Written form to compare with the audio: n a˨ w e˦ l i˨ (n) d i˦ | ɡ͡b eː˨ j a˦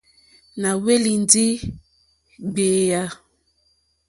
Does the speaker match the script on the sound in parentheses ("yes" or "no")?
yes